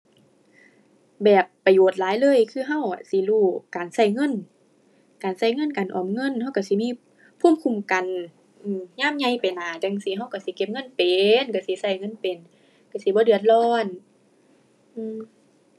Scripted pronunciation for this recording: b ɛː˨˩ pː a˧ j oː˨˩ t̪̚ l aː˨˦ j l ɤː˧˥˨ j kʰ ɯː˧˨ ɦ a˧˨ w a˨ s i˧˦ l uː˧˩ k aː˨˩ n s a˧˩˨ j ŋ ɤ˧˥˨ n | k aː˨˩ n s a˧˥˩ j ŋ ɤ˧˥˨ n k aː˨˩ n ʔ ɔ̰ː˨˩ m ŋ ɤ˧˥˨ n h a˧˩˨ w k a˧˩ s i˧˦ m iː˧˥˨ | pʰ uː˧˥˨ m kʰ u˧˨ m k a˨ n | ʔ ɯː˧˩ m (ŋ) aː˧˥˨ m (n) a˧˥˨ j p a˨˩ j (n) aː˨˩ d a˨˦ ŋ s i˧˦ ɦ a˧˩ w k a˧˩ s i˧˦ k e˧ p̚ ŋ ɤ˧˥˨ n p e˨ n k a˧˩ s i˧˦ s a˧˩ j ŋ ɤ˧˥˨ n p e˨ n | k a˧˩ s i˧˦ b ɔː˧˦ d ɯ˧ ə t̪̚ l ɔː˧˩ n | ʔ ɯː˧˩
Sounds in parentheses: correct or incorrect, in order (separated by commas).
incorrect, incorrect, correct